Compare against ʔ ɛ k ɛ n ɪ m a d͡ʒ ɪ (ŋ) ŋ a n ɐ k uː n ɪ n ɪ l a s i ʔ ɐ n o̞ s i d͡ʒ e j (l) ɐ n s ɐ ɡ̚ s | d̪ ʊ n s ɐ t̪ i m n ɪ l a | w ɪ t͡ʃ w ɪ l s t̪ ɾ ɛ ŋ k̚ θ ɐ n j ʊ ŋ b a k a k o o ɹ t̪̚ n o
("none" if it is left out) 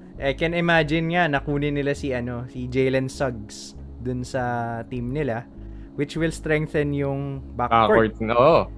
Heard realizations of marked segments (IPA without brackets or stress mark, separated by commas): n, l